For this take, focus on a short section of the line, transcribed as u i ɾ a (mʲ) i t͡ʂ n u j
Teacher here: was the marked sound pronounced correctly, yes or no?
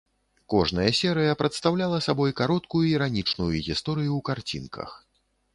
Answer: no